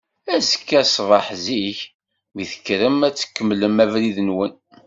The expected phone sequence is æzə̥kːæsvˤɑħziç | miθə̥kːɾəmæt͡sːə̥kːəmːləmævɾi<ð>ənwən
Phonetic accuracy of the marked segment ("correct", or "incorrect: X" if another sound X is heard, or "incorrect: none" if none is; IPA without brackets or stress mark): correct